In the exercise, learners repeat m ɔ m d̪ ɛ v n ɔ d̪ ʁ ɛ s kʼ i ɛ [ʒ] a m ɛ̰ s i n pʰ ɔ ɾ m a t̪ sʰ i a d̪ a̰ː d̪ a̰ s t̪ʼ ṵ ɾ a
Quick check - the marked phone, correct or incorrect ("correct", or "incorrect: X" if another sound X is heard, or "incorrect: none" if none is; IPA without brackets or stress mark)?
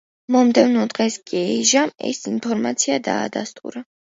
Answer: correct